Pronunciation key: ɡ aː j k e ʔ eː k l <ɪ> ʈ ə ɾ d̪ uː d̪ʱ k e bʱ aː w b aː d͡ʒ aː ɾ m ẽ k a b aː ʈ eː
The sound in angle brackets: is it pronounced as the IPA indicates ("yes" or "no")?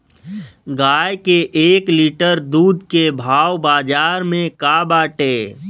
no